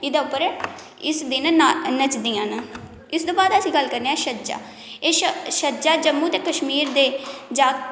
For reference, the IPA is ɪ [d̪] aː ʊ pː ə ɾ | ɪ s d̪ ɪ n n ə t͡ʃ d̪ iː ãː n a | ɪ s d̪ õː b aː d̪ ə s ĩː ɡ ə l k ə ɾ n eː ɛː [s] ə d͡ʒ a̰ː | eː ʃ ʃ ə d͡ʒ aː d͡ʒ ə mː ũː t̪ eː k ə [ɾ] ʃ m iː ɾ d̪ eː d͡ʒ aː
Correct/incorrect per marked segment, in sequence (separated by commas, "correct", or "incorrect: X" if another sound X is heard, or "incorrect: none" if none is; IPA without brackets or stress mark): correct, incorrect: ʃ, incorrect: none